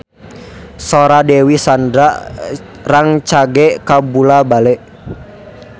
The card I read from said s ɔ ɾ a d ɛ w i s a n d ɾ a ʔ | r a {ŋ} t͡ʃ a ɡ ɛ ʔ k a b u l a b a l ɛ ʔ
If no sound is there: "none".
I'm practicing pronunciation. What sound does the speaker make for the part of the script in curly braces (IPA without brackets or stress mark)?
ŋ